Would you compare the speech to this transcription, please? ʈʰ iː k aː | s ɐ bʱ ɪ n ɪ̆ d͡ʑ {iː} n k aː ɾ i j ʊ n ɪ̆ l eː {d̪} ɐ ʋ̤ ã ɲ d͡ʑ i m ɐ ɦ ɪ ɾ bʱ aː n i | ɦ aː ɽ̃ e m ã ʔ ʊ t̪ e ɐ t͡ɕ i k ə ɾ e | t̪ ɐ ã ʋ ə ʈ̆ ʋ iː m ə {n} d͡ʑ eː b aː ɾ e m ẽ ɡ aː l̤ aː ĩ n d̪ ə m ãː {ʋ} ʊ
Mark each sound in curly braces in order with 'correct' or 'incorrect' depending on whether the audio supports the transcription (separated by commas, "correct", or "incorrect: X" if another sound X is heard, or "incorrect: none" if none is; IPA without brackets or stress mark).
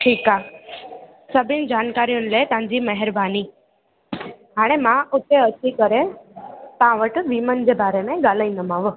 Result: incorrect: aː, incorrect: t̪, correct, correct